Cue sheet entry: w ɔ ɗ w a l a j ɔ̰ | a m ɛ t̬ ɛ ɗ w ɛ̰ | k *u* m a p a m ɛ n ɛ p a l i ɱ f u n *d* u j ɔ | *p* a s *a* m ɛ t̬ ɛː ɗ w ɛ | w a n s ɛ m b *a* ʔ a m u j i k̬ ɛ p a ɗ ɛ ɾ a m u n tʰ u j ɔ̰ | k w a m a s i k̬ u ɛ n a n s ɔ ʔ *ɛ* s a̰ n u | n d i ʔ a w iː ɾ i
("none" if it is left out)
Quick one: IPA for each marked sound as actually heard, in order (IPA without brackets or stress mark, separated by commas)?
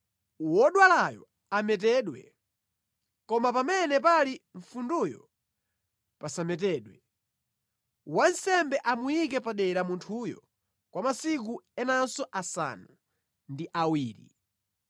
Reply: ɔ, d, p, a, ɛ, a